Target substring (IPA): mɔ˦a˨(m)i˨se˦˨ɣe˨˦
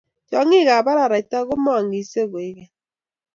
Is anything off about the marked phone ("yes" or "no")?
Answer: yes